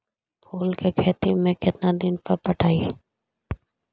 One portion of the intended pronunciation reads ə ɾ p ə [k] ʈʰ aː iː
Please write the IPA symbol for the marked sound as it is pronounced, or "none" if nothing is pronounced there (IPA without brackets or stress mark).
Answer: none